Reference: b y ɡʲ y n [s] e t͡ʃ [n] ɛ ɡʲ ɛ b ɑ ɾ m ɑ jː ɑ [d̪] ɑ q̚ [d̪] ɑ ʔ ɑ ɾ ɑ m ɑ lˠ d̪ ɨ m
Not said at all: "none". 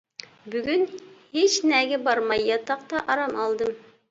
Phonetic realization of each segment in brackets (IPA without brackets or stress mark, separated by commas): h, n, t̪, t̪